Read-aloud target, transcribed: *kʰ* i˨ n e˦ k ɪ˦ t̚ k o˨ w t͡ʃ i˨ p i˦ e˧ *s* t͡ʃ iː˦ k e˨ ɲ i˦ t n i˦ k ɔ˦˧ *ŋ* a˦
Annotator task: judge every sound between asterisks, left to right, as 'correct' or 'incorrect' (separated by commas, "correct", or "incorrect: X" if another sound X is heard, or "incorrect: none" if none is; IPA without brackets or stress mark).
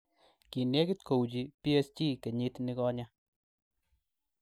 incorrect: k, correct, incorrect: ɲ